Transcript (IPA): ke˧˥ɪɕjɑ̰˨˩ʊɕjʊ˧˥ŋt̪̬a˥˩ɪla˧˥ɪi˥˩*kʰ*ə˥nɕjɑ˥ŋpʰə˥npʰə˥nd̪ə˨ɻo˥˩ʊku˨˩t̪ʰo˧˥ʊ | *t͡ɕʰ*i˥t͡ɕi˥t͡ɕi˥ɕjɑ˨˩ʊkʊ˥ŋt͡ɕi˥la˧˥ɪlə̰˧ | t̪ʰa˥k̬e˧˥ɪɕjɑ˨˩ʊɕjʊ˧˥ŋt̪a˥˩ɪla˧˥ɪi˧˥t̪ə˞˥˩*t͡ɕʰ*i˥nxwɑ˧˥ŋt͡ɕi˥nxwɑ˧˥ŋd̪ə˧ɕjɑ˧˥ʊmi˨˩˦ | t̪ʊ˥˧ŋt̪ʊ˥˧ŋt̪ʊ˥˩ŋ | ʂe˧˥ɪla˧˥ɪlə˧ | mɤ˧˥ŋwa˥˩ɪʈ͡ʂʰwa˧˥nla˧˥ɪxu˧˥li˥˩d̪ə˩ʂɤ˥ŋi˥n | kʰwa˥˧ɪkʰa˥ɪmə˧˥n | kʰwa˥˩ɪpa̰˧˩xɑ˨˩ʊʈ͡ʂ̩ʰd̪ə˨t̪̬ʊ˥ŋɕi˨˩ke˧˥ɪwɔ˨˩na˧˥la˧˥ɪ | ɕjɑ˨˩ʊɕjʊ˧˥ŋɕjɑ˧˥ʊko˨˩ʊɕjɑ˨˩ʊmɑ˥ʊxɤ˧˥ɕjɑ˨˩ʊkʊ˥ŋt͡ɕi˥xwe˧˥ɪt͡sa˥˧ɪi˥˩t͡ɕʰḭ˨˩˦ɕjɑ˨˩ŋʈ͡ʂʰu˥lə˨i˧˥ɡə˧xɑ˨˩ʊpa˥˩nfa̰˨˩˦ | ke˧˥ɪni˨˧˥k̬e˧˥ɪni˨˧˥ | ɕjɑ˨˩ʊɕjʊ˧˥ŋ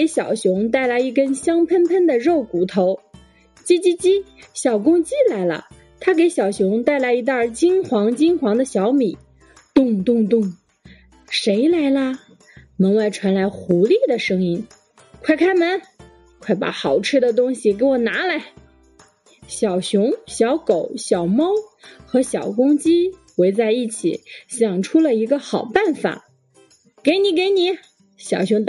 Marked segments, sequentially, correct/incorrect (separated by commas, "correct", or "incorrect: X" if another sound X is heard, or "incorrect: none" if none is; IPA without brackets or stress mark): incorrect: k, incorrect: t͡ɕ, incorrect: t͡ɕ